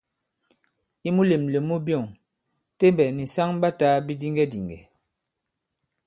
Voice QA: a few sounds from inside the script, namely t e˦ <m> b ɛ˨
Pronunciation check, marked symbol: correct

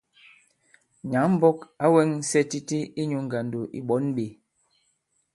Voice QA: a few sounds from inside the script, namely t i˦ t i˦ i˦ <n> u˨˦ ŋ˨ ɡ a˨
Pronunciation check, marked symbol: incorrect: ɲ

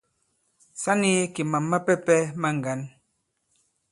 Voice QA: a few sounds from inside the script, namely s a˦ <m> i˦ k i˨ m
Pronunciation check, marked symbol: incorrect: n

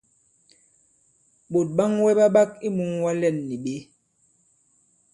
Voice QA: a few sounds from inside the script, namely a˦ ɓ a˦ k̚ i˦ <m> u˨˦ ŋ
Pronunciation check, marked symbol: correct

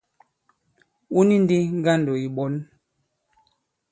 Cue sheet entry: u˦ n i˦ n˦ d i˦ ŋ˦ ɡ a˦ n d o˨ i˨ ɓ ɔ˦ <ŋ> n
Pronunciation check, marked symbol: incorrect: none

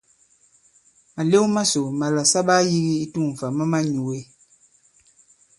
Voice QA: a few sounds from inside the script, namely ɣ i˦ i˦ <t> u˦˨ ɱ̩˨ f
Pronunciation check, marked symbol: correct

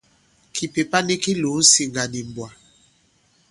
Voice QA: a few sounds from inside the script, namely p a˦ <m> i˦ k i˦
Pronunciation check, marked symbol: incorrect: n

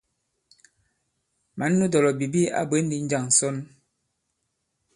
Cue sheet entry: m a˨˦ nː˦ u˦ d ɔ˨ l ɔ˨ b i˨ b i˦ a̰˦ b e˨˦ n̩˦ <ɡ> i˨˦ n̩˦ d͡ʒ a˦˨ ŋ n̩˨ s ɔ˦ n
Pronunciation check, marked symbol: incorrect: d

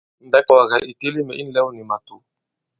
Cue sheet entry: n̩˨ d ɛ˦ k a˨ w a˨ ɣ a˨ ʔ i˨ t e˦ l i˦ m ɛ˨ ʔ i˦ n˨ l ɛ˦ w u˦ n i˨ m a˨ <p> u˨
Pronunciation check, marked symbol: incorrect: t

